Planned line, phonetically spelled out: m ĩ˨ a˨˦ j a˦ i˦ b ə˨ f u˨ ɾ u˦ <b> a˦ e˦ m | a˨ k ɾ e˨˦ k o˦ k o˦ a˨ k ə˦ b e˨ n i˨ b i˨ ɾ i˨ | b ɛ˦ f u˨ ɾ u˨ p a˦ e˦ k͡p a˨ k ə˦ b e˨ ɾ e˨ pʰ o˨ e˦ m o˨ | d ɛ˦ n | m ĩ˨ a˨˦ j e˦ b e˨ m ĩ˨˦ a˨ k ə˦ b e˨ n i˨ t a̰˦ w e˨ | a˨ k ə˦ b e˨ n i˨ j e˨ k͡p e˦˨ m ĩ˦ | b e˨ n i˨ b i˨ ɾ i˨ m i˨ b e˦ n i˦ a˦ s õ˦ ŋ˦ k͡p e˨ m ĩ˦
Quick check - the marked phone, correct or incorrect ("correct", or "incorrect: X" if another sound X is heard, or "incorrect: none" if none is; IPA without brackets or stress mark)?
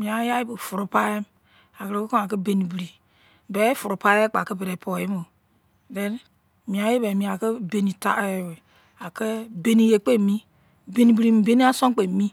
incorrect: p